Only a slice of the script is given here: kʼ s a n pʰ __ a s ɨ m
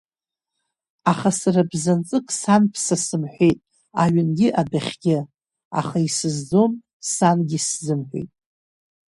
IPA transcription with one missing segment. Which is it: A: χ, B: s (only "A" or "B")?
B